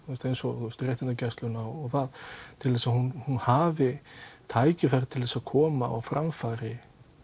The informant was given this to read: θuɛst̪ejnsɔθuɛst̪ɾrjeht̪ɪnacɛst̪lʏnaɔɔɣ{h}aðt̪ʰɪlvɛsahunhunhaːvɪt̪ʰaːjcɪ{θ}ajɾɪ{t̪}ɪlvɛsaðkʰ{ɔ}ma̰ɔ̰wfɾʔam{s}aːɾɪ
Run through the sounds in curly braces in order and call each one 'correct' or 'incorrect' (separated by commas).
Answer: incorrect, incorrect, incorrect, incorrect, incorrect